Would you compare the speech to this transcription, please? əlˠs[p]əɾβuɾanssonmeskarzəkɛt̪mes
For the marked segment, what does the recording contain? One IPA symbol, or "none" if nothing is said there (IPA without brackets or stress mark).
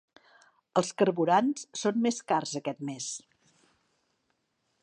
k